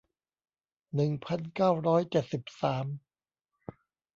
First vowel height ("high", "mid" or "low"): high